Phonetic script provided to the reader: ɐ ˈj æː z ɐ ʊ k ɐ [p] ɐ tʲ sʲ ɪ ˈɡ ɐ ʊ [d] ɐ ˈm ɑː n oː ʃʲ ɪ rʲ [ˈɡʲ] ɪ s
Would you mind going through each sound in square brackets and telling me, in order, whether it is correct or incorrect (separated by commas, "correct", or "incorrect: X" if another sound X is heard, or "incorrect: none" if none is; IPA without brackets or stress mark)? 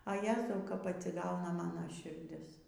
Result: correct, incorrect: n, incorrect: dʲ